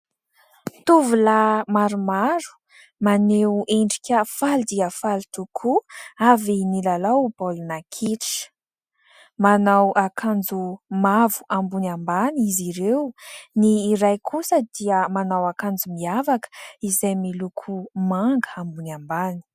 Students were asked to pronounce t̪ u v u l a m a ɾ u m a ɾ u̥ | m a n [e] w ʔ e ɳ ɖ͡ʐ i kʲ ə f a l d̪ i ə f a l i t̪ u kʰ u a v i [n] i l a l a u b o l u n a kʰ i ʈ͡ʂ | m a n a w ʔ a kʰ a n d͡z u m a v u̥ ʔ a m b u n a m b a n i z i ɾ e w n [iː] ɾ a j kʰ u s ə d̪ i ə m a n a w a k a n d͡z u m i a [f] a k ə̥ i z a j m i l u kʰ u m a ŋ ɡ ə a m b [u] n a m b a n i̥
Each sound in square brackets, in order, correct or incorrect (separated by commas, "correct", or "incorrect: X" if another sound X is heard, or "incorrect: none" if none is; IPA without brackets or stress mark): correct, correct, correct, incorrect: v, correct